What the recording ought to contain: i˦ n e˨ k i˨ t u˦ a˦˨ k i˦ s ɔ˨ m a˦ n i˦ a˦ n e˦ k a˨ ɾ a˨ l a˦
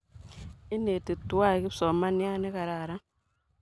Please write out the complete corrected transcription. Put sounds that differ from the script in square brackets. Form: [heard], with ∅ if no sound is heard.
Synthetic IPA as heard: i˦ n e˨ [t] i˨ t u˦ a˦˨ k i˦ s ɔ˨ m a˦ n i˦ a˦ n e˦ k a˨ ɾ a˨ [ɾ] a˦